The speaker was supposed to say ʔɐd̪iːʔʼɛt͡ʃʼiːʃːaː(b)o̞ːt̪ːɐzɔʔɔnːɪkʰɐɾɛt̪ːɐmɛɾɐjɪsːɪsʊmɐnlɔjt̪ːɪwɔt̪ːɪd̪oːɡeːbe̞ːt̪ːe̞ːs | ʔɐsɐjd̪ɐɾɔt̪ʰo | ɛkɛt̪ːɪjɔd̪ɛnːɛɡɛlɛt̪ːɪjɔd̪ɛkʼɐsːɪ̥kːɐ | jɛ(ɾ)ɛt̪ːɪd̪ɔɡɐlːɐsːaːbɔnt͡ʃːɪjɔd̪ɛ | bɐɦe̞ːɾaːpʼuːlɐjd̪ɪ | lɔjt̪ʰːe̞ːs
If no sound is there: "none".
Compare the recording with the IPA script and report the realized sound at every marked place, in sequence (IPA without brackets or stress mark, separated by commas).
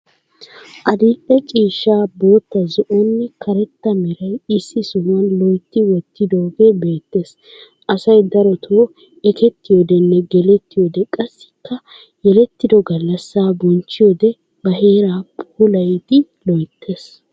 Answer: b, l